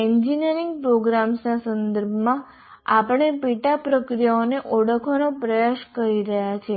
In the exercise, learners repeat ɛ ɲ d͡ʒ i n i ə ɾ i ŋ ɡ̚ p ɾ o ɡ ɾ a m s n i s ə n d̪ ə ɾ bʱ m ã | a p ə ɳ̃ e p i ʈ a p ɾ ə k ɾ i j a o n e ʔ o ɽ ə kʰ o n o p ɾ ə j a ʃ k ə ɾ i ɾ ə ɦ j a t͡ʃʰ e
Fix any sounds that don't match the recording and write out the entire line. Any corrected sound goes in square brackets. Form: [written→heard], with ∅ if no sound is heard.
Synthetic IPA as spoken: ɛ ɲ d͡ʒ i n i ə ɾ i ŋ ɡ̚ p ɾ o ɡ ɾ a m s n [i→a] s ə n d̪ ə ɾ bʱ m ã | a p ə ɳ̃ e p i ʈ a p ɾ ə k ɾ i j a o n e ʔ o ɽ ə kʰ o n o p ɾ ə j a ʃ k ə ɾ i ɾ ə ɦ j a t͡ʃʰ e